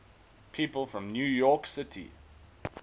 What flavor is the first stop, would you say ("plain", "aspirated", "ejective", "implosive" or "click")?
aspirated